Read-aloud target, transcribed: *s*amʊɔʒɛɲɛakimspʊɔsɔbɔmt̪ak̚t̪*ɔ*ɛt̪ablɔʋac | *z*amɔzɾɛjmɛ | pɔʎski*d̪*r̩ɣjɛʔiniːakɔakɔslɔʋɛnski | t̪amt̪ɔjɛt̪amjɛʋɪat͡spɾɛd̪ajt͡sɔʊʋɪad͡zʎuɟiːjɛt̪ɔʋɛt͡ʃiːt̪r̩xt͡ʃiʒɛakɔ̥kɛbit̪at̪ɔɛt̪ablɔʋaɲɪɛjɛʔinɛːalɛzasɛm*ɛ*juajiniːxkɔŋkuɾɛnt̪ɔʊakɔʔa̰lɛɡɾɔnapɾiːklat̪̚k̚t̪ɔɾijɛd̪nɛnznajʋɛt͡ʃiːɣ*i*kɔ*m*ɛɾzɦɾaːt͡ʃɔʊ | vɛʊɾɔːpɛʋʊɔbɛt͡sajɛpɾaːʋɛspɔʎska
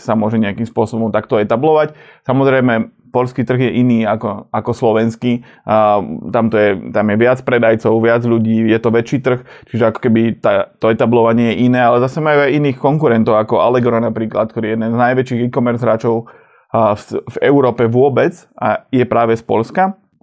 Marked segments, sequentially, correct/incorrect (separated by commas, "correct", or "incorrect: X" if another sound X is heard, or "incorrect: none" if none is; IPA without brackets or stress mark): correct, correct, incorrect: s, incorrect: t̪, incorrect: a, correct, correct